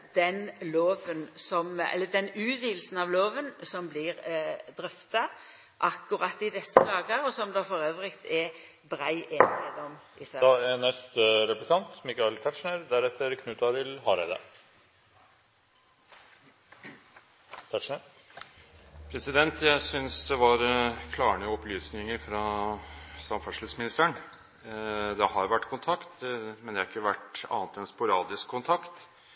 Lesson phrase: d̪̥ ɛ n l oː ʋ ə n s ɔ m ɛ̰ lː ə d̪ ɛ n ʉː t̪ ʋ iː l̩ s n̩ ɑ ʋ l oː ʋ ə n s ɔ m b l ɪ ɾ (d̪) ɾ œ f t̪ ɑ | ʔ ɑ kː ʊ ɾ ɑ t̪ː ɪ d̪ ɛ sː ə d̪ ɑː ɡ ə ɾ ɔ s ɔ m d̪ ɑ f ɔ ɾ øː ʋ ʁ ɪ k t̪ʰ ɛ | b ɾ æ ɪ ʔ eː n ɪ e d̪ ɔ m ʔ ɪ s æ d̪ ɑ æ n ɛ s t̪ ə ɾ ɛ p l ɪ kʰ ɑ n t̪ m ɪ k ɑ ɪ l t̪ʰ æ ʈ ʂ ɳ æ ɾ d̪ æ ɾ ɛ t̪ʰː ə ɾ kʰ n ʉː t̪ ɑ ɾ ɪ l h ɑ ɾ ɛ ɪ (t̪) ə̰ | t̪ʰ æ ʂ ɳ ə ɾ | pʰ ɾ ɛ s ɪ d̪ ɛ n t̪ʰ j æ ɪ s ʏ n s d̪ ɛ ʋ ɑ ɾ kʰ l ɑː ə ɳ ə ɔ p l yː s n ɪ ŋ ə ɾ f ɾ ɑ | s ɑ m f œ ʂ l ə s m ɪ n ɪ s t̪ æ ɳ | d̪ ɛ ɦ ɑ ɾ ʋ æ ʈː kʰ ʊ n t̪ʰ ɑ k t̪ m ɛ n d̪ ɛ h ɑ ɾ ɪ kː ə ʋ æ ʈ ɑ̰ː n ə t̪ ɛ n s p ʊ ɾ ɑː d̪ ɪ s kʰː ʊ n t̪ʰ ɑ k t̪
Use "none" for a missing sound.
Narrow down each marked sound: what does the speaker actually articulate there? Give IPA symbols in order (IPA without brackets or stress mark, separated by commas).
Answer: d̪, d̪